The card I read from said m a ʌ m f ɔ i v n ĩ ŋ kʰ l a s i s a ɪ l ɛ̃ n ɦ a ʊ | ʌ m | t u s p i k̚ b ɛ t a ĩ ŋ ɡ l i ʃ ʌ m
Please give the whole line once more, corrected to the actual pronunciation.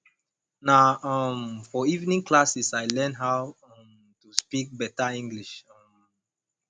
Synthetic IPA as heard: n a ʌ m f ɔ i v n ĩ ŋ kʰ l a s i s a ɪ l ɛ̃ n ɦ a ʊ | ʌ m | t u s p i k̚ b ɛ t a ĩ ŋ ɡ l i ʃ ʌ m